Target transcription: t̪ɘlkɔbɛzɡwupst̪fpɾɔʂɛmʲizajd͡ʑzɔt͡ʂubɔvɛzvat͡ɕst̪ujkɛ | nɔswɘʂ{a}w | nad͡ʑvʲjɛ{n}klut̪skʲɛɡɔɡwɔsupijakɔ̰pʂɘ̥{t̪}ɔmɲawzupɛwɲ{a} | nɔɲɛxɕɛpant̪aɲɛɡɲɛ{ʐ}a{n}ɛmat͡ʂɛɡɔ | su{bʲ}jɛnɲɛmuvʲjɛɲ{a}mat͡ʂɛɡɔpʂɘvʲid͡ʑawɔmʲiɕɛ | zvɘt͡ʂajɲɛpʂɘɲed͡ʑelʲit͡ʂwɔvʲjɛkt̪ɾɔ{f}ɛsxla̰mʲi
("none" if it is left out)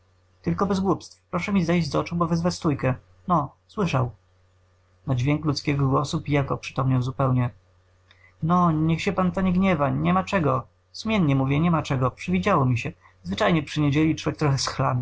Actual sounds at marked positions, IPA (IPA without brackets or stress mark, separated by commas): a, ŋ, t̪, ɛ, v, ɲ, mʲ, ɛ, x